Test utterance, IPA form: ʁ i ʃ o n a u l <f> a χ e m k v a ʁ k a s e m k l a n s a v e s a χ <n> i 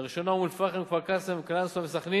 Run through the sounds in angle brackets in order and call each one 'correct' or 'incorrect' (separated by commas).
correct, correct